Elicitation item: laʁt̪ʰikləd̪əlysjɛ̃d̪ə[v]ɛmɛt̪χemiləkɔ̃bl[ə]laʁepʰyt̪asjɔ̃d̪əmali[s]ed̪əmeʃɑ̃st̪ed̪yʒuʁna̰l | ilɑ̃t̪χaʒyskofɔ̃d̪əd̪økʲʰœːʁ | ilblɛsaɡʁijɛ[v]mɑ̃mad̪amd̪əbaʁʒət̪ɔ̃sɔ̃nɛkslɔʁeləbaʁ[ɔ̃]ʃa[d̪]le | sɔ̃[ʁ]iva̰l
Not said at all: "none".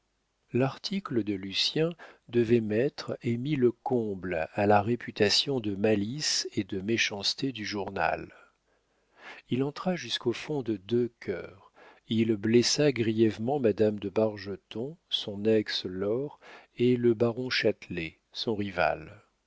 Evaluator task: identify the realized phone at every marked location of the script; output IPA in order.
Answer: v, a, s, v, ɔ̃, t̪, ʁ

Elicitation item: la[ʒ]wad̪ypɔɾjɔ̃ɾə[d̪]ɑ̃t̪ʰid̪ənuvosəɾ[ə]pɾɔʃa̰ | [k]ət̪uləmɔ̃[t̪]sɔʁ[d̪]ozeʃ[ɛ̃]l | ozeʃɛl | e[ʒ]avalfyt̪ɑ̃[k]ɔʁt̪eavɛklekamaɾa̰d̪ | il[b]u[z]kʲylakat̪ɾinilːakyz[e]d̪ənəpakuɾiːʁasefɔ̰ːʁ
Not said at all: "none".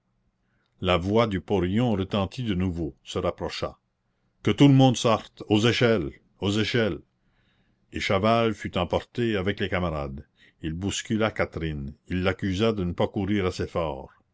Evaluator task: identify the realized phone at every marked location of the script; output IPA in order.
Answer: v, t̪, a, k, d̪, t̪, ɛ, ʃ, p, b, s, a

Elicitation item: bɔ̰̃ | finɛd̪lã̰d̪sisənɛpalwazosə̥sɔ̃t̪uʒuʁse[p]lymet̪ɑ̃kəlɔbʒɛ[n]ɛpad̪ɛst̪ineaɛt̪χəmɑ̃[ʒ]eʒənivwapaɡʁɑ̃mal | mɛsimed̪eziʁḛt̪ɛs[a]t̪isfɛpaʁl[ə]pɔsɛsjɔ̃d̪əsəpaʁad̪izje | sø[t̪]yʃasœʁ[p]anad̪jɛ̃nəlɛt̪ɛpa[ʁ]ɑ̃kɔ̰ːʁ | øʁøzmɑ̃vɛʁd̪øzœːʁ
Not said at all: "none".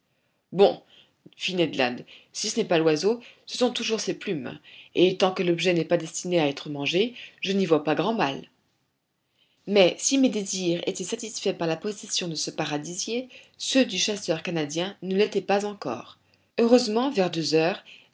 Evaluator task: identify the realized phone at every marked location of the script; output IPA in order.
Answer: p, n, ʒ, a, a, d̪, k, z

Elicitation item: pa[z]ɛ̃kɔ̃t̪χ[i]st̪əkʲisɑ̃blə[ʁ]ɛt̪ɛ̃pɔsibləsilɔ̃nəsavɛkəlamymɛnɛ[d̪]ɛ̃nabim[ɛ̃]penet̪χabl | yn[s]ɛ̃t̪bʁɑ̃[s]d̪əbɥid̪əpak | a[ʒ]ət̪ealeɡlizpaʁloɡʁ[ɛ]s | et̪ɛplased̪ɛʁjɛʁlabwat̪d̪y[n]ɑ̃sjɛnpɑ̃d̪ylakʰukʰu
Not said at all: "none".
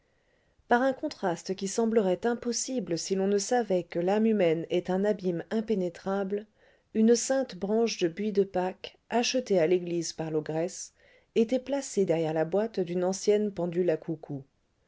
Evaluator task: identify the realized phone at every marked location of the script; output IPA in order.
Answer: ʁ, a, ʁ, t̪, ɛ̃, s, ʃ, ʃ, ɛ, n

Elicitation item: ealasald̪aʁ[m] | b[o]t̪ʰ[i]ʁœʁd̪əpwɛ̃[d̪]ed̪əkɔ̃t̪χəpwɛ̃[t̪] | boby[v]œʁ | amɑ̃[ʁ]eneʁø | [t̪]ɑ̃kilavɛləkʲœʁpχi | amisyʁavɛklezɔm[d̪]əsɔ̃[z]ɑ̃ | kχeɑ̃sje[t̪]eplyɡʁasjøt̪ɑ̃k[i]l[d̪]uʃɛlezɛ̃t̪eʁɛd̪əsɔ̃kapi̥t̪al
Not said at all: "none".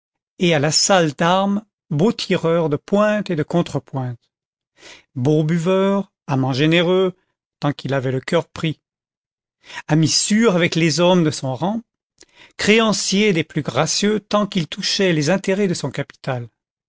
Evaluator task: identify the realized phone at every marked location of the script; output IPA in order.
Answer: m, o, i, t̪, t̪, v, ʒ, t̪, d̪, ʁ, d̪, i, t̪

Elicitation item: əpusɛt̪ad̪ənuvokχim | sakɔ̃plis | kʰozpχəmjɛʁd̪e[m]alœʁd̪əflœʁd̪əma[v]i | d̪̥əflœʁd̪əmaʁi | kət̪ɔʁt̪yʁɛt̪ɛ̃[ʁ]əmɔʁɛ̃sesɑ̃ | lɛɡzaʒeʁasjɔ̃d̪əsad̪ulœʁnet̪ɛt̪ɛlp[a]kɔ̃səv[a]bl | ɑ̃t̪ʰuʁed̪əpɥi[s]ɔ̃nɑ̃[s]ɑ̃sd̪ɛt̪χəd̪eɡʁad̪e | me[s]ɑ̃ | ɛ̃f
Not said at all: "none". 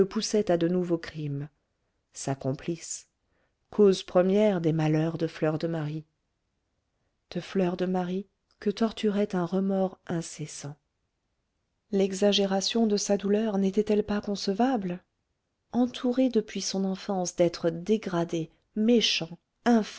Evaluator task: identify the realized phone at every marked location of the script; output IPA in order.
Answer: m, ʁ, ʁ, a, a, s, f, ʃ

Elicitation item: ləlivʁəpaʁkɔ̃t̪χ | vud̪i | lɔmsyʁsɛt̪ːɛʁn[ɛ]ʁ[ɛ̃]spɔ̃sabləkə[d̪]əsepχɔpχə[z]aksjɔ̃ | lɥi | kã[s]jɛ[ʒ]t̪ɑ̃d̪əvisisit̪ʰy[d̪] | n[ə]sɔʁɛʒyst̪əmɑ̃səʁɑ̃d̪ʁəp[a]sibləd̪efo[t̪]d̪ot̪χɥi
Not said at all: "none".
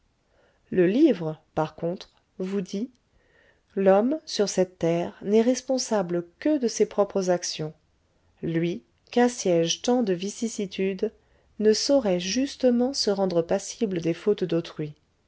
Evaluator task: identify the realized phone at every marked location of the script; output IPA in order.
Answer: ɛ, ɛ, d̪, z, s, ʒ, d̪, ə, a, t̪

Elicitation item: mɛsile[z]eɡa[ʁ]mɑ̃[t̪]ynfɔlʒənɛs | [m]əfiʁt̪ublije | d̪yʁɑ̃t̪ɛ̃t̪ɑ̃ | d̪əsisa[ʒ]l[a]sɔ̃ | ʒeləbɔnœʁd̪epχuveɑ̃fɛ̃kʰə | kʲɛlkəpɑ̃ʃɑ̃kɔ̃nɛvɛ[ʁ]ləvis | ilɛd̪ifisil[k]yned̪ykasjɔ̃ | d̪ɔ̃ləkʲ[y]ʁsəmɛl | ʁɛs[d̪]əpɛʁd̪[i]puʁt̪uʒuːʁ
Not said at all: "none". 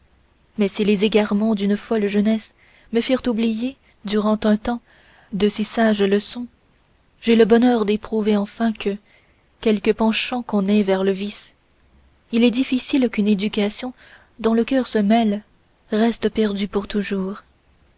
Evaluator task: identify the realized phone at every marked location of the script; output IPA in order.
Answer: z, ʁ, d̪, m, ʒ, ə, ʁ, k, œ, t̪, y

